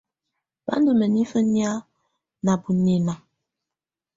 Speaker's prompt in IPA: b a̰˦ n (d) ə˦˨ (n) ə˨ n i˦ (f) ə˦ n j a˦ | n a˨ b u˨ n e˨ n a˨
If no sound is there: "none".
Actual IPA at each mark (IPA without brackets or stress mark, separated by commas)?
d, m, f